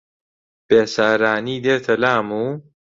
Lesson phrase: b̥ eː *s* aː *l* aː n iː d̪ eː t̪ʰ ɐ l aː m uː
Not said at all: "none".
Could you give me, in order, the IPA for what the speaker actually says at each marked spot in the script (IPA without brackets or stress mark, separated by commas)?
s, ɾ